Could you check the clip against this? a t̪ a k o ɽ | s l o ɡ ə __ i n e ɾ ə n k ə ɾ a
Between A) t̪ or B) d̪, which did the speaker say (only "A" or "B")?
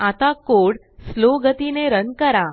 A